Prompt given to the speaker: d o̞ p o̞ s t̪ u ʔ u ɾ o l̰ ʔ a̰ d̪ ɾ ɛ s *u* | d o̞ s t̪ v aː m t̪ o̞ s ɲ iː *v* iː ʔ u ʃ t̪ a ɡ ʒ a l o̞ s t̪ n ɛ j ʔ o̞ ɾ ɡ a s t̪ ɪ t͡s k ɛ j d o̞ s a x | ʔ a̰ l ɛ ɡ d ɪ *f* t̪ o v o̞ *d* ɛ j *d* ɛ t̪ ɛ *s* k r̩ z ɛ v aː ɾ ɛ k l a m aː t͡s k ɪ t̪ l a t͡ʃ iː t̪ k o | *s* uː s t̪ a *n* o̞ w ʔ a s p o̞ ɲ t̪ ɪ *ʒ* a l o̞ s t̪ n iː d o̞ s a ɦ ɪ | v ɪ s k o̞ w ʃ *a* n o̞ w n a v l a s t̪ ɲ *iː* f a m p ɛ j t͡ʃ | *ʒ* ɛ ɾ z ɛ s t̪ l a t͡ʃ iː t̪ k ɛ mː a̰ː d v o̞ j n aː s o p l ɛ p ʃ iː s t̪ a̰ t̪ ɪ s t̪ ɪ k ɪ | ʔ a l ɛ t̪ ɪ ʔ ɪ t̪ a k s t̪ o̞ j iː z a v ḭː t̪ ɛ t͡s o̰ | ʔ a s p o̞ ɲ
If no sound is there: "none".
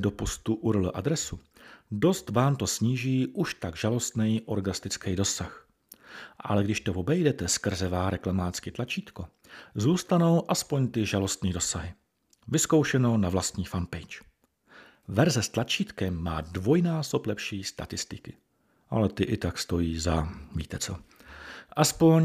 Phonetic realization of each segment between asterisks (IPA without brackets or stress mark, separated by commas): u, ʒ, ʃ, b, d, s, z, n, ʒ, ɛ, iː, v